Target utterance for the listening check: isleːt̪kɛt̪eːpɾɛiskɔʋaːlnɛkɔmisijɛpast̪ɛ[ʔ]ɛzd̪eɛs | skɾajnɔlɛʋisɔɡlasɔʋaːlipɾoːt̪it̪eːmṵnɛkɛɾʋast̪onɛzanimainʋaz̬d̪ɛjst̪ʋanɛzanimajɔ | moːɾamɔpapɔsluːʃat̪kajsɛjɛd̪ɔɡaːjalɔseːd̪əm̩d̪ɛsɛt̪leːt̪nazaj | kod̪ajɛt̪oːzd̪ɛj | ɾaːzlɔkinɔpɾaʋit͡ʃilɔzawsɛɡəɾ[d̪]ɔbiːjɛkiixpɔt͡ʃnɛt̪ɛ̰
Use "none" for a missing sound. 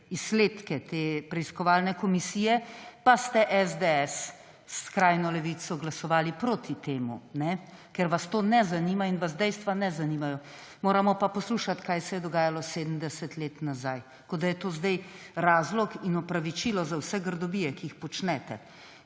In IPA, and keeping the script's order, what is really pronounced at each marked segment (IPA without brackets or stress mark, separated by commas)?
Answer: ʔ, d̪